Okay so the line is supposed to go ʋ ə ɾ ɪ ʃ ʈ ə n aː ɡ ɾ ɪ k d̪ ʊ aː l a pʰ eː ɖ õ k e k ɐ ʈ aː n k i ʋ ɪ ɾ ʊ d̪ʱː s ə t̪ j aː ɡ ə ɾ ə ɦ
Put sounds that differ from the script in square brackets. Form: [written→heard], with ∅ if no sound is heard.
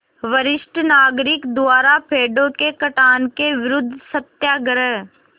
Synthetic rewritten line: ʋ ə ɾ ɪ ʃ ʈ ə n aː ɡ ɾ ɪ k d̪ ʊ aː [l→ɾ] a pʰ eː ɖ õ k e k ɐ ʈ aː n k [i→e] ʋ ɪ ɾ ʊ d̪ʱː s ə t̪ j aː ɡ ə ɾ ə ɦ